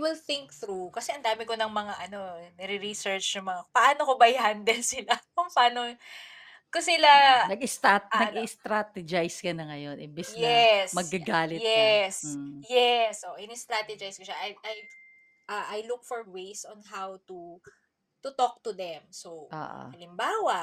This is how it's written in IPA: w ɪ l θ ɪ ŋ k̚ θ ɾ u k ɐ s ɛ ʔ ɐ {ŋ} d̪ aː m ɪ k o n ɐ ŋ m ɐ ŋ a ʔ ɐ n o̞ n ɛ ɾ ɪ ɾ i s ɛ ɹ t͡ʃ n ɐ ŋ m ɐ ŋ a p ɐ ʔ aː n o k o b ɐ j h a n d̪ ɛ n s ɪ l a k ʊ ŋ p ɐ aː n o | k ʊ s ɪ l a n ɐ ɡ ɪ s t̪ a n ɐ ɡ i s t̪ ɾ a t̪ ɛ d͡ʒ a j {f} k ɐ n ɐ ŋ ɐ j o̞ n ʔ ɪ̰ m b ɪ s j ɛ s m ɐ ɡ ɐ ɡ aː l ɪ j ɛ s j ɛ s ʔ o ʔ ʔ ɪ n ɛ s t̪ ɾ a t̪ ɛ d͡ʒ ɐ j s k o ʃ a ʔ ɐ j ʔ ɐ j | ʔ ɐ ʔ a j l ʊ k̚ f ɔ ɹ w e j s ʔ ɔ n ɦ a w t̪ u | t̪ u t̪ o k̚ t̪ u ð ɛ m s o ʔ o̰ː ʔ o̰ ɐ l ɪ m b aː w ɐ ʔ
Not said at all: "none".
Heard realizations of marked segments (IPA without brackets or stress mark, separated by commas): n, s